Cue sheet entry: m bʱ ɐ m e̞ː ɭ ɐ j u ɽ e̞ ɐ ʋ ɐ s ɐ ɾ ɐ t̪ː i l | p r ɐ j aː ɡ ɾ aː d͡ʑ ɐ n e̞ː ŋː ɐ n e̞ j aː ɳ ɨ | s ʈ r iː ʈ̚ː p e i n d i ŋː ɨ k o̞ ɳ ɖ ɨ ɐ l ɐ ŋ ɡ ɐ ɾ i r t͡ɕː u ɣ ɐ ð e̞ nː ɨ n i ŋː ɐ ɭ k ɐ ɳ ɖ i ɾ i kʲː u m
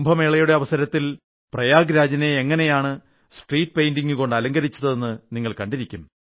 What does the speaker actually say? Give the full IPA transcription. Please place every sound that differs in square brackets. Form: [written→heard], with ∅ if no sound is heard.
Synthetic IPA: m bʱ ɐ m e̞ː ɭ ɐ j u ɽ e̞ ɐ ʋ ɐ s ɐ ɾ ɐ t̪ː i l | p r ɐ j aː ɡ ɾ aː d͡ʑ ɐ n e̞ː ŋː ɐ n e̞ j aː ɳ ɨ | s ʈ r iː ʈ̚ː p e [i→j] n d i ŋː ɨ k o̞ ɳ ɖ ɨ ɐ l ɐ ŋ ɡ ɐ ɾ i [r→∅] t͡ɕː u [ɣ→ð] ɐ ð e̞ nː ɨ n i ŋː ɐ ɭ k ɐ ɳ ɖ i ɾ i kʲː u m

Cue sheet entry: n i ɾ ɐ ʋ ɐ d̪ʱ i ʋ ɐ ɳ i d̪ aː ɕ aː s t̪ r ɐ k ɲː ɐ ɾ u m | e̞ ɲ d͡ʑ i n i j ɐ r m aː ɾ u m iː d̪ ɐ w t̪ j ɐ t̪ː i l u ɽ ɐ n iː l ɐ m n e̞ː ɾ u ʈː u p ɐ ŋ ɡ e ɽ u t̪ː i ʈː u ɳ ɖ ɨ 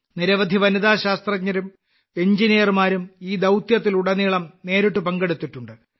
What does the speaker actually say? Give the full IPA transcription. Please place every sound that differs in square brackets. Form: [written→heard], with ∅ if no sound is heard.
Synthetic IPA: n i ɾ ɐ ʋ ɐ d̪ʱ i ʋ ɐ [ɳ→n] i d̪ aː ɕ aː s t̪ r ɐ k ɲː ɐ ɾ u m | e̞ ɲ d͡ʑ i n i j ɐ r m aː ɾ u m iː d̪ ɐ w t̪ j ɐ t̪ː i l u ɽ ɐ n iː [l→ɭ] ɐ m n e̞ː ɾ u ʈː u p ɐ ŋ ɡ e ɽ u t̪ː i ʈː u ɳ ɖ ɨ

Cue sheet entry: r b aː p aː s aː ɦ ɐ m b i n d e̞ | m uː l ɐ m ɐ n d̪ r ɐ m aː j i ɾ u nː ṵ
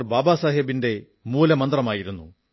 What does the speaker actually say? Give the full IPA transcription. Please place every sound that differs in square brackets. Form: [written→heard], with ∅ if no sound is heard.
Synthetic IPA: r b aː [p→b] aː s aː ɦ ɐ [m→∅] b i n d e̞ | m uː l ɐ m ɐ n d̪ r ɐ m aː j i ɾ u nː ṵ

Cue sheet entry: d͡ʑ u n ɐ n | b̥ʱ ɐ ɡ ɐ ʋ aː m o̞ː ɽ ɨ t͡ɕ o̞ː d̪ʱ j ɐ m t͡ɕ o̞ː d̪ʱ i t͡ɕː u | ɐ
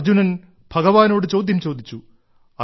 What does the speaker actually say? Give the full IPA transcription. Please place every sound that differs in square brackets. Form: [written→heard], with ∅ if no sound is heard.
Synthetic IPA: d͡ʑ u n ɐ n | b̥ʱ ɐ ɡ ɐ ʋ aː [m→n] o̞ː ɽ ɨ t͡ɕ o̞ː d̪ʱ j ɐ m t͡ɕ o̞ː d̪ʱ i t͡ɕː u | ɐ

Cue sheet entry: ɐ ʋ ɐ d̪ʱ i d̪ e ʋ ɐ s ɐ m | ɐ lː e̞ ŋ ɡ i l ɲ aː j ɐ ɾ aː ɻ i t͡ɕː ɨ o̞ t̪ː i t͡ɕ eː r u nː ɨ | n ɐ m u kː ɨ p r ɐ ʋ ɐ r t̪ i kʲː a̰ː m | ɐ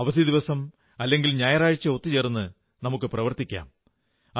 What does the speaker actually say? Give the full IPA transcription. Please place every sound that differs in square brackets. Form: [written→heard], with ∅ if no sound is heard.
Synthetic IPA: ɐ ʋ ɐ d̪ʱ i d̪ [e→i] ʋ ɐ s ɐ m | ɐ lː e̞ ŋ ɡ i l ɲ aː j ɐ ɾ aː ɻ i t͡ɕː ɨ o̞ t̪ː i t͡ɕ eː r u nː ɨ | n ɐ m u kː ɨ p r ɐ ʋ ɐ r t̪ i kʲː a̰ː m | ɐ

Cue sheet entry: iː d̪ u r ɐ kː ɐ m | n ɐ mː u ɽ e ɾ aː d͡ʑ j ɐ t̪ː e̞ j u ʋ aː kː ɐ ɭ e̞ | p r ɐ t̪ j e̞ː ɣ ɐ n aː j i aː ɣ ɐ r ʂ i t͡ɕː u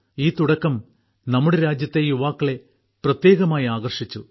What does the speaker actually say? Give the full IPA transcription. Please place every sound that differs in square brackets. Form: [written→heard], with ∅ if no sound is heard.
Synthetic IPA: iː [d̪→t̪] u [r→ɽ] ɐ kː ɐ m | n ɐ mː u ɽ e ɾ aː d͡ʑ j ɐ t̪ː e̞ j u ʋ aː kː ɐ ɭ e̞ | p r ɐ t̪ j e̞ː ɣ ɐ [n→m] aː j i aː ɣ ɐ r ʂ i t͡ɕː u

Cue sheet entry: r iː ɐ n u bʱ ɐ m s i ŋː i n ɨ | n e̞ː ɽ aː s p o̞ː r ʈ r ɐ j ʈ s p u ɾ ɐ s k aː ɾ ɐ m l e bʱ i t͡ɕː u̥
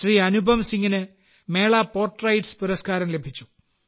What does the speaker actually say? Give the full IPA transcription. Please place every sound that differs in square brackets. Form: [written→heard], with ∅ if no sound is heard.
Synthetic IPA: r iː ɐ n u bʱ ɐ m s i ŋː i n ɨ | [n→m] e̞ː [ɽ→ɭ] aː [s→∅] p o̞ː r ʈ r ɐ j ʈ s p u ɾ ɐ s k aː ɾ ɐ m l e bʱ i t͡ɕː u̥

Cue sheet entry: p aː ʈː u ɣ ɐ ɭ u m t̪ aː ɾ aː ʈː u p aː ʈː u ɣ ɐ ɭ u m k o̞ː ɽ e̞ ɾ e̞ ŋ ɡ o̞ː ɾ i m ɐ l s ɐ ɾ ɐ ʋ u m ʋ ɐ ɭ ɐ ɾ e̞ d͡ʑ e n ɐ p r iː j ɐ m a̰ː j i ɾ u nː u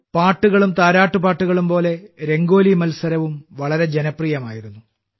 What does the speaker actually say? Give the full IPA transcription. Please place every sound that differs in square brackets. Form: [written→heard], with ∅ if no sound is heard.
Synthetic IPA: p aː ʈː u ɣ ɐ ɭ u m t̪ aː ɾ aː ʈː u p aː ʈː u ɣ ɐ ɭ u m [k→p] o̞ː [ɽ→l] e̞ ɾ e̞ ŋ ɡ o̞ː [ɾ→l] i m ɐ l s ɐ ɾ ɐ ʋ u m ʋ ɐ ɭ ɐ ɾ e̞ d͡ʑ e n ɐ p r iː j ɐ m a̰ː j i ɾ u nː u

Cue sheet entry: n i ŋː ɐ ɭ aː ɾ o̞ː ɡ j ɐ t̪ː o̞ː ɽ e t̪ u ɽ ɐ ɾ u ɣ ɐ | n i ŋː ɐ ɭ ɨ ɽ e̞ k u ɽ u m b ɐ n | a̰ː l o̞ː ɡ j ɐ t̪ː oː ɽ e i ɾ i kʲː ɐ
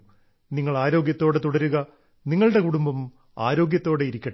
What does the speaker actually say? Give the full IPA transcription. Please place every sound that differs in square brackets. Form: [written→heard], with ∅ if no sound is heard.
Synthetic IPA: n i ŋː ɐ ɭ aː ɾ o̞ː ɡ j ɐ t̪ː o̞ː ɽ e t̪ u ɽ ɐ ɾ u ɣ ɐ | n i ŋː ɐ ɭ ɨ ɽ e̞ k u ɽ u m b ɐ [n→m] | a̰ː [l→ɾ] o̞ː ɡ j ɐ t̪ː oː ɽ e i ɾ i kʲː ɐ

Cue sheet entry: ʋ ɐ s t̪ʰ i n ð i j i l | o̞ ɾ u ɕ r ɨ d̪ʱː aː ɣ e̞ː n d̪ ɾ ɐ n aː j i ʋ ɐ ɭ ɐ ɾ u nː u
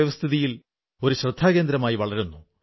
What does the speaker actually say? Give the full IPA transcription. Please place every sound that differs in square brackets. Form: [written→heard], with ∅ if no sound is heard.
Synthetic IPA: ʋ ɐ s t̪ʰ i [n→∅] ð i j i l | o̞ ɾ u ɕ r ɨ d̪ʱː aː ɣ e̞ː n d̪ ɾ ɐ [n→m] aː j i ʋ ɐ ɭ ɐ ɾ u nː u

